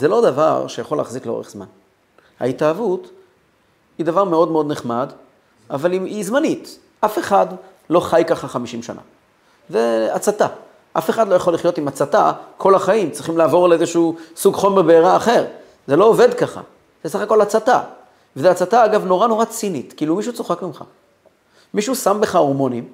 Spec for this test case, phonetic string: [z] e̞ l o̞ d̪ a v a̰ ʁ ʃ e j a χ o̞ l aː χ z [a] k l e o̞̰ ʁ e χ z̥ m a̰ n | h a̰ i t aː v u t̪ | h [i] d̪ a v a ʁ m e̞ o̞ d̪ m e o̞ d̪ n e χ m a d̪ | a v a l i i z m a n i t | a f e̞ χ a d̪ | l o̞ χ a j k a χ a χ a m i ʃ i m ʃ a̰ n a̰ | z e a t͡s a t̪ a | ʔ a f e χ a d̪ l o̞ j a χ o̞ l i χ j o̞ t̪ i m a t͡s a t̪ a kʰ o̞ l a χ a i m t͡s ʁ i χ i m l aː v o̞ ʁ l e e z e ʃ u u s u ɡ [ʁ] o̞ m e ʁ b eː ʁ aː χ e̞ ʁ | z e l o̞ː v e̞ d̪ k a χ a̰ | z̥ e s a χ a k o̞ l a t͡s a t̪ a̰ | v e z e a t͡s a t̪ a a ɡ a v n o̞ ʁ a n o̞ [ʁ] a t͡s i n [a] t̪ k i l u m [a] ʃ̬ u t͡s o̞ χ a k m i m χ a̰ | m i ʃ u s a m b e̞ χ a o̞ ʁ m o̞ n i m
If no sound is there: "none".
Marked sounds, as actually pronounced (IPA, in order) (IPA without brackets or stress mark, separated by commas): z, i, i, χ, ʁ, i, i